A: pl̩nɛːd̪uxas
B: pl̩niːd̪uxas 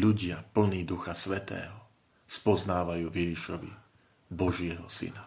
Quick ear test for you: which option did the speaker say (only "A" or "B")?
B